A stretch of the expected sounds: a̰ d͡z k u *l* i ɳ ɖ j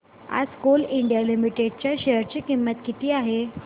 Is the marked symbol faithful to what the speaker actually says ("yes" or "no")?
yes